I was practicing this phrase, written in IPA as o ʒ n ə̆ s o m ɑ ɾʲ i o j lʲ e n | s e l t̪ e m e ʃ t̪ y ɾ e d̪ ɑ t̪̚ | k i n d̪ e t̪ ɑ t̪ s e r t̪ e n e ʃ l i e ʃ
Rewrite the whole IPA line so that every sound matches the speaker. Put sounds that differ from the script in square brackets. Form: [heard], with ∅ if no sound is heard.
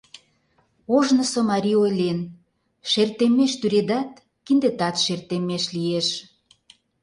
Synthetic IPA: o ʒ n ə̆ s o m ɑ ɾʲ i o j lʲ e n | [ʃ] e [r] t̪ e m e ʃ t̪ y ɾ e d̪ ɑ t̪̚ | k i n d̪ e t̪ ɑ t̪ [ʃ] e r t̪ e [m] e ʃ l i e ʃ